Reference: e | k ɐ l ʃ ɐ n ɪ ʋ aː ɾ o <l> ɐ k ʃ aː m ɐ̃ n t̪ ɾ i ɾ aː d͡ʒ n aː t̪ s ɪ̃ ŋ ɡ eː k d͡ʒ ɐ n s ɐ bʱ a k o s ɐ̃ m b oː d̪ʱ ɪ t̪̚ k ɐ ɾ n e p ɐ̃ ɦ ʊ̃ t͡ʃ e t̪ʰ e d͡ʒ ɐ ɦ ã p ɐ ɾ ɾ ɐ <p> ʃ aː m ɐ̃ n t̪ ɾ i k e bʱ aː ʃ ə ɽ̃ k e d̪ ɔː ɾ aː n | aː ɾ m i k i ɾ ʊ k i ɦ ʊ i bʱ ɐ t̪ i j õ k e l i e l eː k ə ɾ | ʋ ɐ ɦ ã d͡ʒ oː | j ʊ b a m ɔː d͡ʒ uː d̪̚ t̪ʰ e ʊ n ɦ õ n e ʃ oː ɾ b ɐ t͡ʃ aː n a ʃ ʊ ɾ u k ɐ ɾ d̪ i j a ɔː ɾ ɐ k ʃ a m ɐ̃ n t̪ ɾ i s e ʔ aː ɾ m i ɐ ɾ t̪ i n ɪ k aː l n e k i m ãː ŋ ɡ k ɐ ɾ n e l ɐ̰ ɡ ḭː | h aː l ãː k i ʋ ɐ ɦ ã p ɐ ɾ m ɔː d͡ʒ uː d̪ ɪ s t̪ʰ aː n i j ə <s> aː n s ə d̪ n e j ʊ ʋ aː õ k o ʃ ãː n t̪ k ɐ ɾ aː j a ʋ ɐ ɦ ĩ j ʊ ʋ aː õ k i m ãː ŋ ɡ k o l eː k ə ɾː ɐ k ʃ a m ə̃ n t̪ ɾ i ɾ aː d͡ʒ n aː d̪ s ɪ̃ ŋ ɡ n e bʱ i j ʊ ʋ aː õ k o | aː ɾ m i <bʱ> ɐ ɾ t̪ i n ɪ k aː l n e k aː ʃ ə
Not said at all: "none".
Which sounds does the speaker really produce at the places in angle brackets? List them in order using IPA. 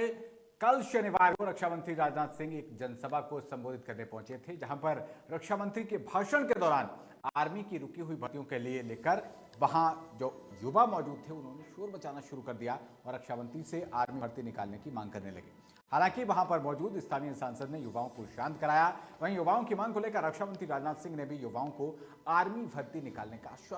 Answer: ɾ, k, s, bʱ

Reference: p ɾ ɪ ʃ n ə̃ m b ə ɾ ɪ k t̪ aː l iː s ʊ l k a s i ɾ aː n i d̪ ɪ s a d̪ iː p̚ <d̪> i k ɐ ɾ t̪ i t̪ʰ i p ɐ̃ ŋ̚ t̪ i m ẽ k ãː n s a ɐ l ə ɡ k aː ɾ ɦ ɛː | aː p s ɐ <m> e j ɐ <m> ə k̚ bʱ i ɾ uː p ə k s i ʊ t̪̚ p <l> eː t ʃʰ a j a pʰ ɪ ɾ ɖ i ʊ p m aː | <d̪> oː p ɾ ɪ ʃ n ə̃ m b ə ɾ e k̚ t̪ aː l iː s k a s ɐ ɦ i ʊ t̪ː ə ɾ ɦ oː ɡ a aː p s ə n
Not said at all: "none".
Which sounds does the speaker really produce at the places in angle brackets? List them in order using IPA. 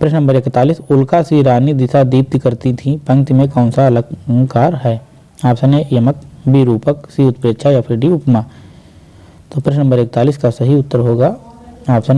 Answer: t̪, n, m, ɾ, t̪

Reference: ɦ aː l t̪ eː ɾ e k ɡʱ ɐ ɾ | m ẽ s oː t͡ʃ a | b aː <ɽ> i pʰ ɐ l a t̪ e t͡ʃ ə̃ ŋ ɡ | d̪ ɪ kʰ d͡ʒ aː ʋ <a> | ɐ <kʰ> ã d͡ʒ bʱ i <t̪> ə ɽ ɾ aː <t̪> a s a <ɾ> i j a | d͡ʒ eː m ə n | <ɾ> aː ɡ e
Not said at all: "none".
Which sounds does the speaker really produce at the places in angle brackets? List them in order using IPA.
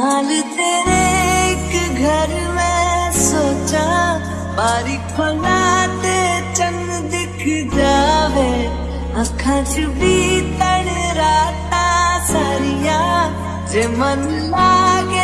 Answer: ɾ, e, kʰ, t̪, t̪, ɾ, l

